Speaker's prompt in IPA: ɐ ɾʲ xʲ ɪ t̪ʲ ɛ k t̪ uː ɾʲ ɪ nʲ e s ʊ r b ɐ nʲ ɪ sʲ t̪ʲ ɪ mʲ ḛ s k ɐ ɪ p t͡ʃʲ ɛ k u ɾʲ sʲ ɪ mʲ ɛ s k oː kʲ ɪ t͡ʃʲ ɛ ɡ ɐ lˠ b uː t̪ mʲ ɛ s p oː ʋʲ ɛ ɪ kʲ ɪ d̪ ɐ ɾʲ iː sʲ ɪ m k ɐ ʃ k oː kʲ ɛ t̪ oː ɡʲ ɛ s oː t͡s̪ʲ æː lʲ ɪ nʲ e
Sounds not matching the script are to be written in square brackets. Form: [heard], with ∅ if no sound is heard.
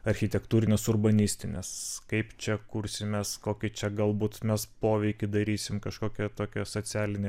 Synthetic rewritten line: ɐ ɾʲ xʲ ɪ t̪ʲ ɛ k t̪ uː ɾʲ ɪ nʲ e s ʊ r b ɐ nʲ ɪ sʲ t̪ʲ ɪ [nʲ] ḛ s k ɐ ɪ p t͡ʃʲ ɛ k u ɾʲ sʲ ɪ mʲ ɛ s k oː kʲ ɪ t͡ʃʲ ɛ ɡ ɐ lˠ b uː t̪ mʲ ɛ s p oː ʋʲ ɛ ɪ kʲ ɪ d̪ ɐ ɾʲ iː sʲ ɪ m k ɐ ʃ k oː kʲ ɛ t̪ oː [kʲ] ɛ s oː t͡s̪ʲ æː lʲ ɪ nʲ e